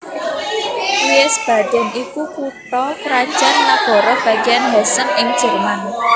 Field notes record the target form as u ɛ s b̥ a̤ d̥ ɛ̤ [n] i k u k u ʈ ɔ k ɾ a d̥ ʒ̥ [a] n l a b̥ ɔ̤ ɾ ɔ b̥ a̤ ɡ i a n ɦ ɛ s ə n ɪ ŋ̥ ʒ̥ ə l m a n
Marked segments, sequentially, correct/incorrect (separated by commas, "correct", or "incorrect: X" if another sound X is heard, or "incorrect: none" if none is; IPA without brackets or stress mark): correct, correct